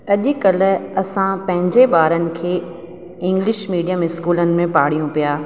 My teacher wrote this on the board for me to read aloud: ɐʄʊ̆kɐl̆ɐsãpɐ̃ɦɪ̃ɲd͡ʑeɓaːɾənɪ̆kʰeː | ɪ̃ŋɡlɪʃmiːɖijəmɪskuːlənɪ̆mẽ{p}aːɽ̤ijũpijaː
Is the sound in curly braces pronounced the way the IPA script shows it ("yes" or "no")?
yes